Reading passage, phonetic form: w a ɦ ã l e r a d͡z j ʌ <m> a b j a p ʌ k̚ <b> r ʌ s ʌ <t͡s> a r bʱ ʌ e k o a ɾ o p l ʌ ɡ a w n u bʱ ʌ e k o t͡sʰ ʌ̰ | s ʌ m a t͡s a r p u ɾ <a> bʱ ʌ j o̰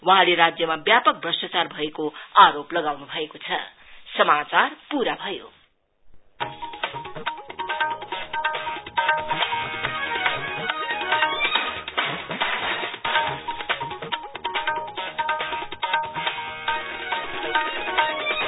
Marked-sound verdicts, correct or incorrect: correct, correct, correct, correct

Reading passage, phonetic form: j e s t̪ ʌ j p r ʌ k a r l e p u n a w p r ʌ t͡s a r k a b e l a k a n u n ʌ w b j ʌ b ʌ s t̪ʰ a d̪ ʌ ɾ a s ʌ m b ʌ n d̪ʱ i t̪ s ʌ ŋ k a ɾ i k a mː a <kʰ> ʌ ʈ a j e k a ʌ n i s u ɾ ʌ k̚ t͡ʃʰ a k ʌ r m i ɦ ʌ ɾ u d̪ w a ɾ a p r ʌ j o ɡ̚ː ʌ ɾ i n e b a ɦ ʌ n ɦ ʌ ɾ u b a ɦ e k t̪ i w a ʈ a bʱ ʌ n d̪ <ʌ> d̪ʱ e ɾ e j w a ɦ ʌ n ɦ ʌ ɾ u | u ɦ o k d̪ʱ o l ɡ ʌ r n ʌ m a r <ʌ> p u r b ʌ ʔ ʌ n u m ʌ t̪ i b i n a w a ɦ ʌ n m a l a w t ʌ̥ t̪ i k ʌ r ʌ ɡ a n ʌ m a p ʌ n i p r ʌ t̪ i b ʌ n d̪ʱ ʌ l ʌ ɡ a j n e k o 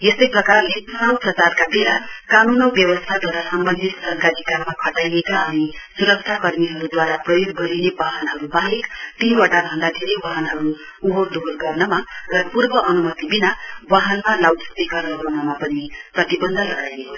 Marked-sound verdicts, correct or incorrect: correct, incorrect: a, correct

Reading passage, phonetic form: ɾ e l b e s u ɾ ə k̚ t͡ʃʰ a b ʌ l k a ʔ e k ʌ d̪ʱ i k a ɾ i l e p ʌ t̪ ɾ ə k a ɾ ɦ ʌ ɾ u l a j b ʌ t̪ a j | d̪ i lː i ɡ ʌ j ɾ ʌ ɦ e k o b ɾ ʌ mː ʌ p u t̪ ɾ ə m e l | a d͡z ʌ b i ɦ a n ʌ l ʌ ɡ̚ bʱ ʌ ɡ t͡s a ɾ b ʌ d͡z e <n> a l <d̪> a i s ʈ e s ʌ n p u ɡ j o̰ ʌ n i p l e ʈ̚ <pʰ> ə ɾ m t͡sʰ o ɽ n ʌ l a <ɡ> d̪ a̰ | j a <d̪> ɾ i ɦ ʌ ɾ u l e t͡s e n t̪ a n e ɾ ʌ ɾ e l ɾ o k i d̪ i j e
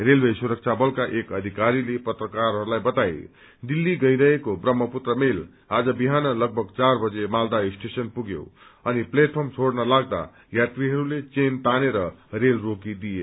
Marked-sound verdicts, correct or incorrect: incorrect: m, correct, correct, correct, incorrect: t̪

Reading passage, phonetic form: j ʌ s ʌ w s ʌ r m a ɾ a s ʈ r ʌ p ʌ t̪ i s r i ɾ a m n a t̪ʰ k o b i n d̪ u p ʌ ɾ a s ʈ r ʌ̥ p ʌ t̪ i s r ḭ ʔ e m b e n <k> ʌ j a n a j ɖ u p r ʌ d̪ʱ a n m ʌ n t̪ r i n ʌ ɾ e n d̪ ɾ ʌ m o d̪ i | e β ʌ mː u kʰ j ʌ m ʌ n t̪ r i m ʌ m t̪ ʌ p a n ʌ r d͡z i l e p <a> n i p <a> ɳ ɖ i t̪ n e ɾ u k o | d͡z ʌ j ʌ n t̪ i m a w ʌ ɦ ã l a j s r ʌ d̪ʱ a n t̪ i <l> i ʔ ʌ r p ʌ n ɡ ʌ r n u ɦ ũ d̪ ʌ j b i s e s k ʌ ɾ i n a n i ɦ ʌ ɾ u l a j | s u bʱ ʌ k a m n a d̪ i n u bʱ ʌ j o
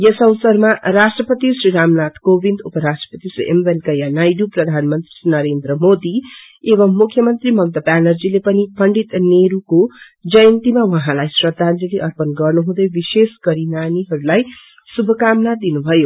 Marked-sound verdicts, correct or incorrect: correct, incorrect: ʌ, incorrect: ʌ, correct

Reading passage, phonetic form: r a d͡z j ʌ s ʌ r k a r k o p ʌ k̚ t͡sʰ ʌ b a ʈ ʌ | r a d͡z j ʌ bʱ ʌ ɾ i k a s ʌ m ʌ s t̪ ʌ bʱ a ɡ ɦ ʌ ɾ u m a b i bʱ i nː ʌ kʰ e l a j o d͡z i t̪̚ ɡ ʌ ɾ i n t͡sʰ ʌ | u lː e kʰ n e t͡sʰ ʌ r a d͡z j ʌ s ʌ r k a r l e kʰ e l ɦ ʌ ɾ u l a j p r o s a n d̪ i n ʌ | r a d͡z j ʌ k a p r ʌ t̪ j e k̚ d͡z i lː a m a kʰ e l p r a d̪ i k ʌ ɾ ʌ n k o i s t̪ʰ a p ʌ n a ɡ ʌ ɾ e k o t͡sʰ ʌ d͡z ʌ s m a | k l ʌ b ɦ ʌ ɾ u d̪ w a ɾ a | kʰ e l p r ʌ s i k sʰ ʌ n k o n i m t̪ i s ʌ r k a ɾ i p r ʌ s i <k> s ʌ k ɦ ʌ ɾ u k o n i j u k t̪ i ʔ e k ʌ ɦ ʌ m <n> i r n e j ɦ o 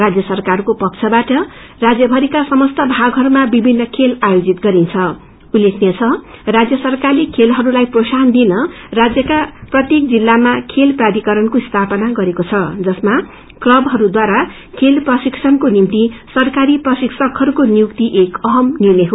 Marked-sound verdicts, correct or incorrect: correct, correct

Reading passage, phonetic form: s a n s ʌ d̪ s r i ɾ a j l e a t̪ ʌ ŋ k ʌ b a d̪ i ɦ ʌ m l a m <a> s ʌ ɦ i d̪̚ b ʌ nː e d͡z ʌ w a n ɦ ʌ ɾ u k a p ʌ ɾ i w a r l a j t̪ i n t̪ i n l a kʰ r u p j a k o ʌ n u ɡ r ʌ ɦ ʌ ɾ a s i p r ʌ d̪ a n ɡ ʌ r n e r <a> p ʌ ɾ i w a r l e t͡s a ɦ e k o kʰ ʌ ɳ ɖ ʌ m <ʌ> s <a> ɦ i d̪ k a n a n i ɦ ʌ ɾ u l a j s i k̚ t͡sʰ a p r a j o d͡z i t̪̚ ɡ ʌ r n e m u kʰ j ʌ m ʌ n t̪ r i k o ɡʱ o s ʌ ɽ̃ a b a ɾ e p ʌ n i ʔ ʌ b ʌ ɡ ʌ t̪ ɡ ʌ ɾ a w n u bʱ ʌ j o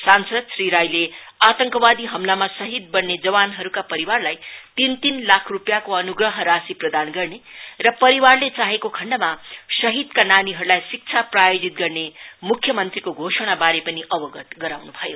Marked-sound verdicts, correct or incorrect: correct, incorrect: ʌ, incorrect: a, incorrect: ʌ

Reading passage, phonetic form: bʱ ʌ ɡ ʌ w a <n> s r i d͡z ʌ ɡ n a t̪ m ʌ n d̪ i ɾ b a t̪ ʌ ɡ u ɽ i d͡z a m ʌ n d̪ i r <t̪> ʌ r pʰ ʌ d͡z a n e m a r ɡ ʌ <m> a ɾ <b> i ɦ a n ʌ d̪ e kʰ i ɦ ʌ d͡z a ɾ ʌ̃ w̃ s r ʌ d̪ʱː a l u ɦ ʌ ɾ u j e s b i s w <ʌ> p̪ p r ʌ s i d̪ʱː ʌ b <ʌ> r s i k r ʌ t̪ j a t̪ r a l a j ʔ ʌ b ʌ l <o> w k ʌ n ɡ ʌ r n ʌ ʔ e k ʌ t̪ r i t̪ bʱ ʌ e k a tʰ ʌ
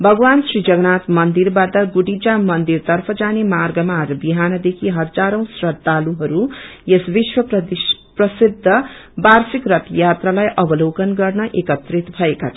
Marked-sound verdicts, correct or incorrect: correct, correct, correct, correct, correct, incorrect: a, correct

